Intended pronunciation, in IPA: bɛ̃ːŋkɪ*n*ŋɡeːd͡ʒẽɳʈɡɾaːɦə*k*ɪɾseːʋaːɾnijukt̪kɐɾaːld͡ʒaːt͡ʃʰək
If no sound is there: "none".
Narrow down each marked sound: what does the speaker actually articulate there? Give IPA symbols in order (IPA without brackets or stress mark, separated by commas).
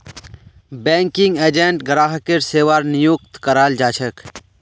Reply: none, k